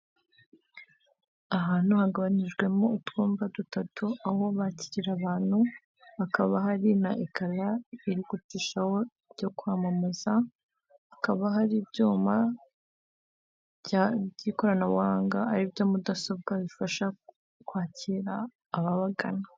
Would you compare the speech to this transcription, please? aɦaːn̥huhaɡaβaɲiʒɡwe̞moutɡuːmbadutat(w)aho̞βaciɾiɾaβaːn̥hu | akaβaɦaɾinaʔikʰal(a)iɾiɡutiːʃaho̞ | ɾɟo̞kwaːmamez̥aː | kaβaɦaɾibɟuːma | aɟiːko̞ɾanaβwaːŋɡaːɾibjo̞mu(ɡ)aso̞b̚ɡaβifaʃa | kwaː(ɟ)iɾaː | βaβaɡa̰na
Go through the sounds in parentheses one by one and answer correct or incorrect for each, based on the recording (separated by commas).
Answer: incorrect, correct, incorrect, incorrect